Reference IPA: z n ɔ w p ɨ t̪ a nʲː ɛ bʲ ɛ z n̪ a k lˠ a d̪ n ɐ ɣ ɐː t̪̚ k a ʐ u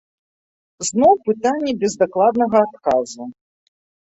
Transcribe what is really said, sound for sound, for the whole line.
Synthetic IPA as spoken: z n ɔ w p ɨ t̪ a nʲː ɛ bʲ ɛ z d̪ a k lˠ a d̪ n ɐ ɣ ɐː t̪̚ k a z u